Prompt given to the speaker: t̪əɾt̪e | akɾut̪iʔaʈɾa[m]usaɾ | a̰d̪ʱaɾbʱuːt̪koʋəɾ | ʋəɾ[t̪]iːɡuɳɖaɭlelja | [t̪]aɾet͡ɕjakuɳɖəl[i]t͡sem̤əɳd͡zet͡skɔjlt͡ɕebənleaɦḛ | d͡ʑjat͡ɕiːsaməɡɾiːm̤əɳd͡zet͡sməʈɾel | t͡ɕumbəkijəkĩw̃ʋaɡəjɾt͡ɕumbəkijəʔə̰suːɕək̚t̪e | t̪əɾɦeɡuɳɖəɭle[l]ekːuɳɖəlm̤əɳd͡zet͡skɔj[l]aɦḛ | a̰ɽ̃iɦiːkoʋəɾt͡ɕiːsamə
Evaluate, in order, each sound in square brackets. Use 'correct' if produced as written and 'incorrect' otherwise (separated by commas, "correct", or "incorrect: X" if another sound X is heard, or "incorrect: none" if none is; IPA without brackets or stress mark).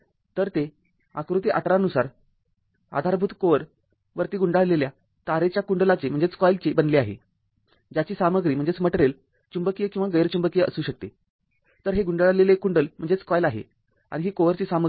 incorrect: n, correct, correct, incorrect: a, correct, correct